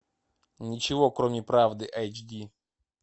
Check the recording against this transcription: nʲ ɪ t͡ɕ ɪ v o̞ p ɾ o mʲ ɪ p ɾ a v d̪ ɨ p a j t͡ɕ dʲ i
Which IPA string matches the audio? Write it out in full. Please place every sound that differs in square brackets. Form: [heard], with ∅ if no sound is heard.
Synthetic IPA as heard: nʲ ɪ t͡ɕ ɪ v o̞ [k] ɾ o mʲ ɪ p ɾ a v d̪ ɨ [ʔ] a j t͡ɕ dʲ i